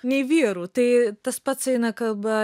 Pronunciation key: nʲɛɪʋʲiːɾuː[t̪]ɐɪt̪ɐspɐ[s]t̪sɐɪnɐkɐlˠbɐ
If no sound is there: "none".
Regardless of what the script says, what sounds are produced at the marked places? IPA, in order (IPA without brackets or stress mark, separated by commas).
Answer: t̪, none